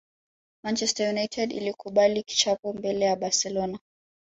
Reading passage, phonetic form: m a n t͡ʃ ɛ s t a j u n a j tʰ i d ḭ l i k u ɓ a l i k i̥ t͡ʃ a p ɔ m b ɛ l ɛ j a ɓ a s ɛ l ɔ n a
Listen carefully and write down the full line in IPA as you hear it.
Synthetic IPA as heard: m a n t͡ʃ ɛ s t a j u n a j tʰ ɛ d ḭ l i k u ɓ a l i k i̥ t͡ʃ a p ɔ m b ɛ l ɛ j a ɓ a s ɛ l ɔ n a